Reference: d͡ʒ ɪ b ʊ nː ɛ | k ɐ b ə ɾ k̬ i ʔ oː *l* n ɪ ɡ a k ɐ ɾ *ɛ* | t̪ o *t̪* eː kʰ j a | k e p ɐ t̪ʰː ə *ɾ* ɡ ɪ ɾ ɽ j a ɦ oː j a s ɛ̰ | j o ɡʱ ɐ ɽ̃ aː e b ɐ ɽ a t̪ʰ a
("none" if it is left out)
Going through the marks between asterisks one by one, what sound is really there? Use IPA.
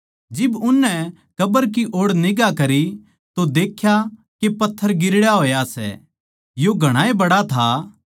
ɽ, i, d̪, ɾ

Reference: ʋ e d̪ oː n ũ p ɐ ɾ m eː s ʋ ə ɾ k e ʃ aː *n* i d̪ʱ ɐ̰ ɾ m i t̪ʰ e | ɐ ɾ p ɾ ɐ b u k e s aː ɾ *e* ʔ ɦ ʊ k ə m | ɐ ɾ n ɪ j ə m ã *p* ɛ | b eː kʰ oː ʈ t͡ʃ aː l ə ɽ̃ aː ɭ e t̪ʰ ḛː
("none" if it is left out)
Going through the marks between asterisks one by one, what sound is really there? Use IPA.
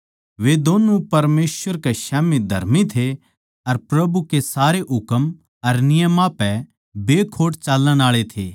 m, e, p

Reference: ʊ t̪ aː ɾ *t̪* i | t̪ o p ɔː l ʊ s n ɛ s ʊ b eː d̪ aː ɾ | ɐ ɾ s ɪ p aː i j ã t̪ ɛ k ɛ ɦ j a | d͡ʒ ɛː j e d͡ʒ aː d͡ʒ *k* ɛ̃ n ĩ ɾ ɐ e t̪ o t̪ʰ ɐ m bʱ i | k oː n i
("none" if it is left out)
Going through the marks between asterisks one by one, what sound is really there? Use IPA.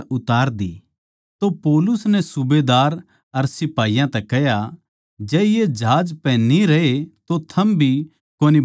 d̪, p

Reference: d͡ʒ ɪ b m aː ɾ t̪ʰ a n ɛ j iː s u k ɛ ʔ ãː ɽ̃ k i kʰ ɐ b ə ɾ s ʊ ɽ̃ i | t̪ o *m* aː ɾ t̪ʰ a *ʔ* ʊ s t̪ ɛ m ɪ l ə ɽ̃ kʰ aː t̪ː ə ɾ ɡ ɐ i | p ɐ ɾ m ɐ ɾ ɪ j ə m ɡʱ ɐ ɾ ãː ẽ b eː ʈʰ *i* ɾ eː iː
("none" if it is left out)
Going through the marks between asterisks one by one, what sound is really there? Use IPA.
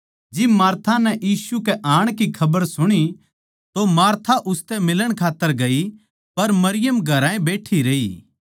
m, ʔ, i

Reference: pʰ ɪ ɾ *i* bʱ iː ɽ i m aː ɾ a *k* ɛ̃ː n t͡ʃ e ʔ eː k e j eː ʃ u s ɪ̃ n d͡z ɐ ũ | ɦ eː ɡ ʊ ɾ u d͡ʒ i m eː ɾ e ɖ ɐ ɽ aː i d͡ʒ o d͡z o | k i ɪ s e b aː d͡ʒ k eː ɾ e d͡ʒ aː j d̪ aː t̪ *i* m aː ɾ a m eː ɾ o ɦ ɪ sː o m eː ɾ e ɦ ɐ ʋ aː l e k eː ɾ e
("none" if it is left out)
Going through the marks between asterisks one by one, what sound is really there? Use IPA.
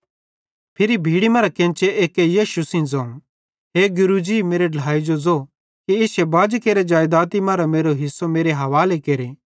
i, k, i

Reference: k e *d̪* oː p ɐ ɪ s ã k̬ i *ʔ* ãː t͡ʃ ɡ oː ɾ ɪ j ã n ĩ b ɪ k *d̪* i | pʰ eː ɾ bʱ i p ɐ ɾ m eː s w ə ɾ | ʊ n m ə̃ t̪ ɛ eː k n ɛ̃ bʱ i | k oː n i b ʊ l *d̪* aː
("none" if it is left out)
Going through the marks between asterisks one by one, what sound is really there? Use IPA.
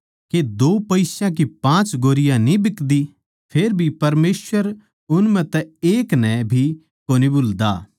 d̪, p, d̪, d̪

